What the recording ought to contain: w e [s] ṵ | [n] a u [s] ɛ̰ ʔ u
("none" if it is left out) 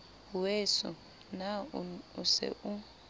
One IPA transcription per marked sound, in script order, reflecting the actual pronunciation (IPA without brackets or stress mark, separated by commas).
s, n, s